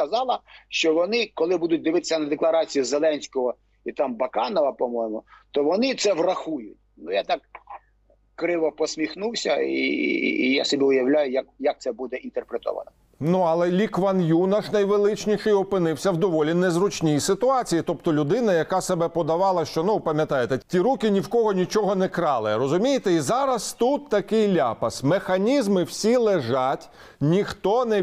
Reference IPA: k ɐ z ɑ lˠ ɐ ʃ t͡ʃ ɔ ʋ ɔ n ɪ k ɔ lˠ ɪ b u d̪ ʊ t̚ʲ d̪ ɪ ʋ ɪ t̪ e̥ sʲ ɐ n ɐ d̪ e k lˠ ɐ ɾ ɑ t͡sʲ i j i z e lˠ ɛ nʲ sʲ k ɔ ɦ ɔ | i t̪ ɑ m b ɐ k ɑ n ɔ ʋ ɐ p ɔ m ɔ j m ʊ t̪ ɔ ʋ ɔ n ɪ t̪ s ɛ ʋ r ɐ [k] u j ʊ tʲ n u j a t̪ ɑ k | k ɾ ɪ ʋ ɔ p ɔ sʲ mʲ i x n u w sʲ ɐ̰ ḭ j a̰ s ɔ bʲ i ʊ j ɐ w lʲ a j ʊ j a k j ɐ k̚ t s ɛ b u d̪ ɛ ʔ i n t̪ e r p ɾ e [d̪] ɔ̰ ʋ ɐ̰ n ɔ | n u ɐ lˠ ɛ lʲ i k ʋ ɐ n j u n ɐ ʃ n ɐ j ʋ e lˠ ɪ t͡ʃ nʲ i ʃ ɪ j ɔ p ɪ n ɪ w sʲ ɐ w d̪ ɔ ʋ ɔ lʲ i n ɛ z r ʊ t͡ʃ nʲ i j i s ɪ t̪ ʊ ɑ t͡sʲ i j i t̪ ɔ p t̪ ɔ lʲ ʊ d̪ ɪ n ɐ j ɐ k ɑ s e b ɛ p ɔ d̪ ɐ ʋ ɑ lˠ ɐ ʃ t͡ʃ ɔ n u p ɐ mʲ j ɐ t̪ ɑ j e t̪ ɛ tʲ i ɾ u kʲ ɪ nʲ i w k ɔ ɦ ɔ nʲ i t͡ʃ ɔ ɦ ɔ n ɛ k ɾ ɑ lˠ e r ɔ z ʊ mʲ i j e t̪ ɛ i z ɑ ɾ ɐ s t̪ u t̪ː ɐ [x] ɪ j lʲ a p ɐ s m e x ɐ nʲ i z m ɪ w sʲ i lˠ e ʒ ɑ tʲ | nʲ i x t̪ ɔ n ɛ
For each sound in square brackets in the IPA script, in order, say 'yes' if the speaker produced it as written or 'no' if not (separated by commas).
no, no, no